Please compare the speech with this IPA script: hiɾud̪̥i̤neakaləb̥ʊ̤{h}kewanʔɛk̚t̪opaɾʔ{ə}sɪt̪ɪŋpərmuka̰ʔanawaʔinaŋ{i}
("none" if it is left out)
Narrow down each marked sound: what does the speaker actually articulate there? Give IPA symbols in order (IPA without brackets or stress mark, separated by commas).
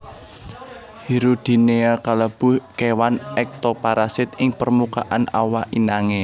h, a, e